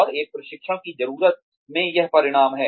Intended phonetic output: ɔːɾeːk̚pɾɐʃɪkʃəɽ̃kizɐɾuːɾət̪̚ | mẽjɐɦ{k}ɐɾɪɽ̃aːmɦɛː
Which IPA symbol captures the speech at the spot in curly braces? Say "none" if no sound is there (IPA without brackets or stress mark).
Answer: p